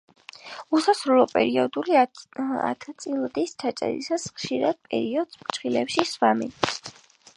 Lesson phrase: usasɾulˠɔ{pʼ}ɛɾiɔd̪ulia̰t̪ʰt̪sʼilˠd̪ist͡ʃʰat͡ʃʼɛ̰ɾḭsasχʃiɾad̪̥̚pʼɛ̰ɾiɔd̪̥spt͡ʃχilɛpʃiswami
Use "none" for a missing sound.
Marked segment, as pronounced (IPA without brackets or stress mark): pʼ